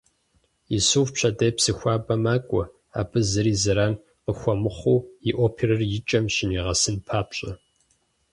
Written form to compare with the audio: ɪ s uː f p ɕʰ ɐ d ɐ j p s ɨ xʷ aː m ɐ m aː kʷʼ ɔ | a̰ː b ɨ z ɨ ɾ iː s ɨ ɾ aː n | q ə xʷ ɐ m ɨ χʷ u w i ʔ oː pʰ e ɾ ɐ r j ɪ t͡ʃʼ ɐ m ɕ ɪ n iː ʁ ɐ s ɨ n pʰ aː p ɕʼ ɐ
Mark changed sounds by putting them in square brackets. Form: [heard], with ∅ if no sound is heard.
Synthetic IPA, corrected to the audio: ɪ s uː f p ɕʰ ɐ d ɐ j p s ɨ xʷ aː [b] ɐ m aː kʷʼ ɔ | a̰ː b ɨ z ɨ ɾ iː [z] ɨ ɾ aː n | q ə xʷ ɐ m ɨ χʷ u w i ʔ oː pʰ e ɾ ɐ r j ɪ t͡ʃʼ ɐ m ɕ ɪ n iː ʁ ɐ s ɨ n pʰ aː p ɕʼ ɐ